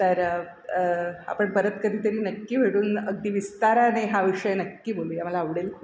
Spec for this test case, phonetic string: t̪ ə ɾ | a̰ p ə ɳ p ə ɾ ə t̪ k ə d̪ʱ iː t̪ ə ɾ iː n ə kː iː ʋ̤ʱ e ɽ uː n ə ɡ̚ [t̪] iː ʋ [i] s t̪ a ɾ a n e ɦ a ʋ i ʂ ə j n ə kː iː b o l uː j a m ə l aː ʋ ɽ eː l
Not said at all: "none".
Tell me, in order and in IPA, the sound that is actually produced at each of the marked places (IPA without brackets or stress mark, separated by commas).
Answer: d̪, i